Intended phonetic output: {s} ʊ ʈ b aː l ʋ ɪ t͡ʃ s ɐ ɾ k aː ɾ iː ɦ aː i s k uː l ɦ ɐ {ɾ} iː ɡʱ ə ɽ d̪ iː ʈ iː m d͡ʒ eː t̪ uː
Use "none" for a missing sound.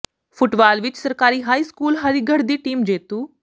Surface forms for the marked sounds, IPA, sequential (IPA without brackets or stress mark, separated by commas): f, ɾ